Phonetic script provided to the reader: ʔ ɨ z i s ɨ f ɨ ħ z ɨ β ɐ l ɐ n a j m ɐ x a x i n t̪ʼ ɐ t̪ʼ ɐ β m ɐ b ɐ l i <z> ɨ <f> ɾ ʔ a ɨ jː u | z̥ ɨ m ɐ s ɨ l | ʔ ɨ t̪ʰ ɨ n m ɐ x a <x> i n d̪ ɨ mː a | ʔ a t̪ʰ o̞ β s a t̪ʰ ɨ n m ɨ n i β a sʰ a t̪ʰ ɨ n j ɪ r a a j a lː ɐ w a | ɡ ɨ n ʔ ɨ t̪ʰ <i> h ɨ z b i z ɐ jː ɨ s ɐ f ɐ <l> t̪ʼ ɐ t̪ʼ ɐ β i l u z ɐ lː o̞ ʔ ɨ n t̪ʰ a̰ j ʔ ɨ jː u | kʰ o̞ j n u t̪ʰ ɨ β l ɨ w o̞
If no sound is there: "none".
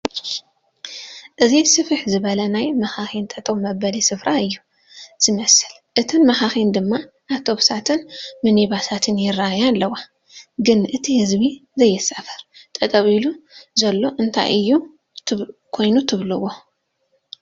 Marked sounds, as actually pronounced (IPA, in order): s, f, x, i, ɾ

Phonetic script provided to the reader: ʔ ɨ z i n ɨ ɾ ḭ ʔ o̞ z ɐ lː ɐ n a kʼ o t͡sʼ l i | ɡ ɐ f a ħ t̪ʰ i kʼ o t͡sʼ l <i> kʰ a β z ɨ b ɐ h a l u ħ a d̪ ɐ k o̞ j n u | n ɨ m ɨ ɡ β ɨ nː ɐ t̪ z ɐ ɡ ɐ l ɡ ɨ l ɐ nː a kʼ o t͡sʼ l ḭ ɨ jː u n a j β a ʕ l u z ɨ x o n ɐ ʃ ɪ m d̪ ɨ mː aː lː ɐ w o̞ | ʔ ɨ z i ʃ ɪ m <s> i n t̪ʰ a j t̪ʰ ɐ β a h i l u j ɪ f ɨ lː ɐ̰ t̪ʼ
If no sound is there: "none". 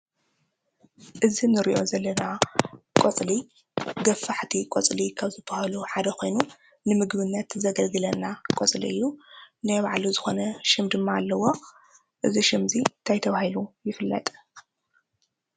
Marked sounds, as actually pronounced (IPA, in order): i, z

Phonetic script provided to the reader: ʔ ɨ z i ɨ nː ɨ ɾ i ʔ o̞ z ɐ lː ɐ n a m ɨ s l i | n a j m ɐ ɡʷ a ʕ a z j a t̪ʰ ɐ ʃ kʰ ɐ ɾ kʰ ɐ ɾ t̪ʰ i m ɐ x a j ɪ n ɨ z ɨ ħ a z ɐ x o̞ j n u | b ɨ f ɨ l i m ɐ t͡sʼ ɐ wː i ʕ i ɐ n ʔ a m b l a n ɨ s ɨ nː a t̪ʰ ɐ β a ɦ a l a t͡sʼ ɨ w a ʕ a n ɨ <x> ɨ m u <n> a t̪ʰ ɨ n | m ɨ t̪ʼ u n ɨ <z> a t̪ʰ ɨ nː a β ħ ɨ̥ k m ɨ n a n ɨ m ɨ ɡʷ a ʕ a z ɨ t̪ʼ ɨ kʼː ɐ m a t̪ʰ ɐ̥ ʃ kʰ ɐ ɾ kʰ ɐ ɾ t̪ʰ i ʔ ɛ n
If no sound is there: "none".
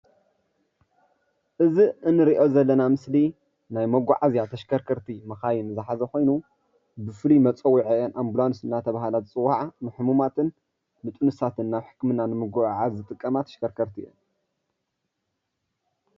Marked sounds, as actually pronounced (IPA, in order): ħ, m, s

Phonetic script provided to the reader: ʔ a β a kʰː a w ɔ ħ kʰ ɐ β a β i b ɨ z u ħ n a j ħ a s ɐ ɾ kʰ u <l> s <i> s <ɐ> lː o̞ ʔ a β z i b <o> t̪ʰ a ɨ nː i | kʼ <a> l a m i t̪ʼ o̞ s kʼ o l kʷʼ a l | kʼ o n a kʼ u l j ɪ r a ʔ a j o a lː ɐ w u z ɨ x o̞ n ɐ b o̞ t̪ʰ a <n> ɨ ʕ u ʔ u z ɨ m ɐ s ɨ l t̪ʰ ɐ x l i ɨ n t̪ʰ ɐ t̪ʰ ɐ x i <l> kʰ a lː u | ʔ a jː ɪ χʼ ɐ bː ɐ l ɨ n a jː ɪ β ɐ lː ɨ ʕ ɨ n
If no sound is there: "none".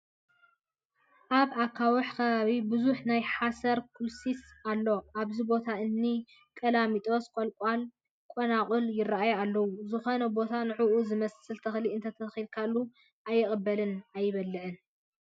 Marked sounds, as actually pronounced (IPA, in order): l, i, a, o, ɐ, n, l

